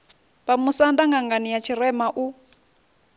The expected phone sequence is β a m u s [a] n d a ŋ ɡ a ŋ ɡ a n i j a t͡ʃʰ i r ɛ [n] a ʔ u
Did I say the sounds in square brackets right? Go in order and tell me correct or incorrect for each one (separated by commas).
correct, incorrect